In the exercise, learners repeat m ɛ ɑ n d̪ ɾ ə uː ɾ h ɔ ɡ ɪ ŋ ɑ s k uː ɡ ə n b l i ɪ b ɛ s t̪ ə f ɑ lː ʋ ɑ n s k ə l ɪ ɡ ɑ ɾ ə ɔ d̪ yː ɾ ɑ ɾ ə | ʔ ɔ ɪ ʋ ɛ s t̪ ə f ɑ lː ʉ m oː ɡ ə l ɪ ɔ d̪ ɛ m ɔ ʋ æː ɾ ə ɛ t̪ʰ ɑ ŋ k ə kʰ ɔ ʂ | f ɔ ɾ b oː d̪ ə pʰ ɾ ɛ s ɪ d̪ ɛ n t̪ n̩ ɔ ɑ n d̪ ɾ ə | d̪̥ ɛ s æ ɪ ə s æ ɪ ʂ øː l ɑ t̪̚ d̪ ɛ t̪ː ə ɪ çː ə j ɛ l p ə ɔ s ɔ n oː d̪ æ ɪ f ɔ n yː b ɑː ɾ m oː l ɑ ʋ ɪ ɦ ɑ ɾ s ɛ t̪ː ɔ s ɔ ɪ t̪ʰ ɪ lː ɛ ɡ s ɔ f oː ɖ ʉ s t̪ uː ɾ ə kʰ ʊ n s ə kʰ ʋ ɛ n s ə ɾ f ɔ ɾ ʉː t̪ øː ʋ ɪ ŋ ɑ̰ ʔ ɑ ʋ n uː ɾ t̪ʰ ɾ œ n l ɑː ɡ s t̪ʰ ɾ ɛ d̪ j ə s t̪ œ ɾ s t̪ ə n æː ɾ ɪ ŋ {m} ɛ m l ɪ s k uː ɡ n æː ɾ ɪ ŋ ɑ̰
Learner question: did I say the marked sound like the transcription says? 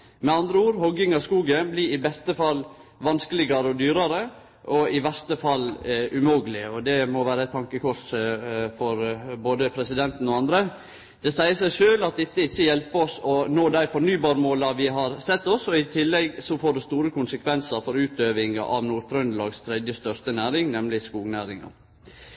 no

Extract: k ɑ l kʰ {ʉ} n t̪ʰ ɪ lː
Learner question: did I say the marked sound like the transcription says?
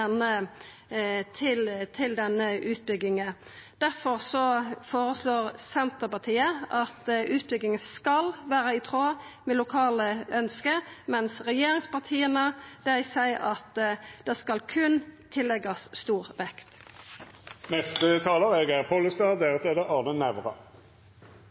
yes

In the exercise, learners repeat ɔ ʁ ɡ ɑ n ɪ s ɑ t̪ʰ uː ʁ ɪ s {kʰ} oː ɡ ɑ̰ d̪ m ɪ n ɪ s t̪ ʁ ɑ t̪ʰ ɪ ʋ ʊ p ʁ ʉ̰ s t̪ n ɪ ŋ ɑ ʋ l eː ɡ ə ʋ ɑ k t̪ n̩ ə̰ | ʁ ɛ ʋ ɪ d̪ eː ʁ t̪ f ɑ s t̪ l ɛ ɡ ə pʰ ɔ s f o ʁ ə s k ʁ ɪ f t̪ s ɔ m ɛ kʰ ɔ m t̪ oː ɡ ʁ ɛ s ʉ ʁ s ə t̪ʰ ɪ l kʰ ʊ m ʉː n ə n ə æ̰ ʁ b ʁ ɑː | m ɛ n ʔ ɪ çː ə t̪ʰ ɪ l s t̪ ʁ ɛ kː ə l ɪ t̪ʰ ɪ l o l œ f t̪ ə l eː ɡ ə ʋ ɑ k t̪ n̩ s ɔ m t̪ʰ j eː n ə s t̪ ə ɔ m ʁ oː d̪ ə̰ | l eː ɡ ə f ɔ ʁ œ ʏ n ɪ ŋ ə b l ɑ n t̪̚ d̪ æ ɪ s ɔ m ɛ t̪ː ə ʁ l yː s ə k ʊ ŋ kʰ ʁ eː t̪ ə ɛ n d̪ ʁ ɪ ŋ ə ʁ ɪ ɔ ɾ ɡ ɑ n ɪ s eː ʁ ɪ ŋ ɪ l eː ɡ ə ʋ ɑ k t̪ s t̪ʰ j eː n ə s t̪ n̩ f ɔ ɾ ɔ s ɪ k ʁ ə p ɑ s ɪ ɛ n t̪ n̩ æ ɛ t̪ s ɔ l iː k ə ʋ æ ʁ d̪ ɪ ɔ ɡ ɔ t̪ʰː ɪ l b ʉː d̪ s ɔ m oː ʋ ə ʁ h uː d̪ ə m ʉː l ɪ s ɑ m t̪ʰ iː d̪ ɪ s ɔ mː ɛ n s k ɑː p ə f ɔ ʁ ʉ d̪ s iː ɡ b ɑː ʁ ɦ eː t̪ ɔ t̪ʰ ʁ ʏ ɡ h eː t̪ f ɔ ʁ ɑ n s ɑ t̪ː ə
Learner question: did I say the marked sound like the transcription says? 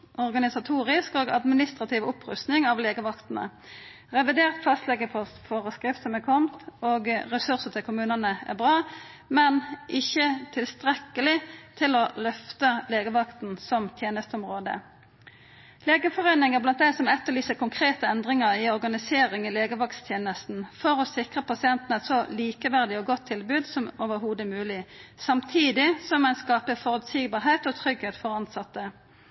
no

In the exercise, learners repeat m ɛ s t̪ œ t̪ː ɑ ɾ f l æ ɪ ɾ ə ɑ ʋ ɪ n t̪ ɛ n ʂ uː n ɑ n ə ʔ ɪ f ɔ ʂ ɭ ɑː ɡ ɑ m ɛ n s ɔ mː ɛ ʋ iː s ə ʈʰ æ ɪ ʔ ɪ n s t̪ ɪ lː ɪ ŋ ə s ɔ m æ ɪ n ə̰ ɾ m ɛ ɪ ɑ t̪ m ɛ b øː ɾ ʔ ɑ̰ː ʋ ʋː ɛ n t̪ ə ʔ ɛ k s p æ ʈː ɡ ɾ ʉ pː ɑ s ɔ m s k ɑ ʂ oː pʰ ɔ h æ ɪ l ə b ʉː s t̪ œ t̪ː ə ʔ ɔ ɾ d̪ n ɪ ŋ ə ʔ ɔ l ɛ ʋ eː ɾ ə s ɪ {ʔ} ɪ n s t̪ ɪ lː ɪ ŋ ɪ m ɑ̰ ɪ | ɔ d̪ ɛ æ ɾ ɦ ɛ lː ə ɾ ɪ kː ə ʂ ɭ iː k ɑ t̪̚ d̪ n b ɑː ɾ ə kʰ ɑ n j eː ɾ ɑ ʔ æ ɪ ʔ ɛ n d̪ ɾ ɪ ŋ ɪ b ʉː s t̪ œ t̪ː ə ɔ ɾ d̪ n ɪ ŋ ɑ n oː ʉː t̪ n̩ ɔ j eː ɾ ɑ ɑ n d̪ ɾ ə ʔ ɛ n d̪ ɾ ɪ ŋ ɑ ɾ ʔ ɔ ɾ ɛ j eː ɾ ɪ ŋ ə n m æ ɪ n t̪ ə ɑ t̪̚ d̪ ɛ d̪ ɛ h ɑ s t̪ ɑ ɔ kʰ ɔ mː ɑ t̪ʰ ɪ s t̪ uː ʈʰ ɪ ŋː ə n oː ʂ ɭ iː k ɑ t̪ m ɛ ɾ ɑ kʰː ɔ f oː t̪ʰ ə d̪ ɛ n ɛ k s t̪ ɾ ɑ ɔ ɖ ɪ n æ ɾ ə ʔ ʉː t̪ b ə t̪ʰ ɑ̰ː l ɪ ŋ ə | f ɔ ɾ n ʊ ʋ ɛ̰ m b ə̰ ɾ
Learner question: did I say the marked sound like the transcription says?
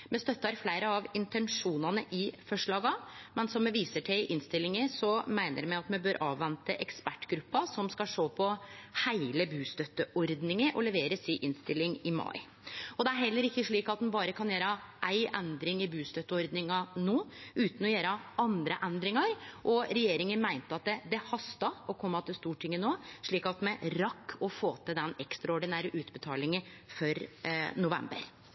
yes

